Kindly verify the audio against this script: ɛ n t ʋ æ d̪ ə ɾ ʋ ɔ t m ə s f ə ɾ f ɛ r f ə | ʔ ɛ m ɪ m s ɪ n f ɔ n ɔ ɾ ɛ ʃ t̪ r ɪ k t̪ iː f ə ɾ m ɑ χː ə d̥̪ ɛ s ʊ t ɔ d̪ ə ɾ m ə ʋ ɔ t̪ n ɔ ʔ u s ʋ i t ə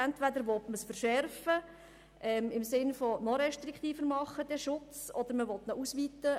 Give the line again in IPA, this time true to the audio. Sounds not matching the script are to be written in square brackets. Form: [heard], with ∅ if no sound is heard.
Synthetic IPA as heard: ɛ n t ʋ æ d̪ ə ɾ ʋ ɔ t m ə s f ə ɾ [ʃ] ɛ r f ə | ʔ ɛ m ɪ m s ɪ n f ɔ n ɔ ɾ ɛ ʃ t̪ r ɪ k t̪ iː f ə ɾ m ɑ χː ə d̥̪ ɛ [ʃ] ʊ [t͡s] ɔ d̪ ə ɾ m ə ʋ ɔ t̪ n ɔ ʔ u s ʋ i t ə